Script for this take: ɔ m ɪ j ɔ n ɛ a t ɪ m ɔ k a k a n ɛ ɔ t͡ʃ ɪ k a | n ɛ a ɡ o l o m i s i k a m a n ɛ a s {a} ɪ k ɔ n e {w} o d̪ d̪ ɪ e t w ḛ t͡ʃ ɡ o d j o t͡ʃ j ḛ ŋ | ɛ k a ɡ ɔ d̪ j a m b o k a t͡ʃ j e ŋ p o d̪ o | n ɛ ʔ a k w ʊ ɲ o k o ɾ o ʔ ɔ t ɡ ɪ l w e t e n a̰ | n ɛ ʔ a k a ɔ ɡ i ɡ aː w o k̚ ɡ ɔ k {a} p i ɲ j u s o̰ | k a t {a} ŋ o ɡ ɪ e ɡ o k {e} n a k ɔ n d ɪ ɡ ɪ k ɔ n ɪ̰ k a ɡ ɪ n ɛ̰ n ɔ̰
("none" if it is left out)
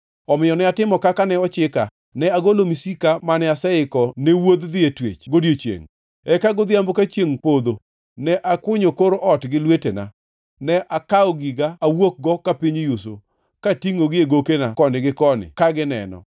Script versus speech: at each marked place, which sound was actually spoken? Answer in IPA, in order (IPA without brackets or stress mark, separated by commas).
ɛ, w, a, i, e